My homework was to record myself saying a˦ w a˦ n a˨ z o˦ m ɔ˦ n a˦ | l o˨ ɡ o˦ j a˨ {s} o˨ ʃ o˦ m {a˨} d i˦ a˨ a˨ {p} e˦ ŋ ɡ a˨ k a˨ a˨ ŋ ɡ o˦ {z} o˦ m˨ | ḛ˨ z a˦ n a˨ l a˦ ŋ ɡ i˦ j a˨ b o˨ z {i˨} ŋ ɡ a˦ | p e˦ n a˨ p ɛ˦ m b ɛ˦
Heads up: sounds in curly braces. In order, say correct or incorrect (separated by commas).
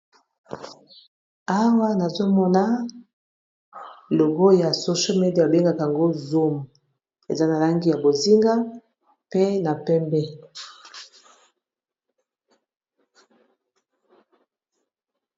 correct, incorrect, incorrect, correct, incorrect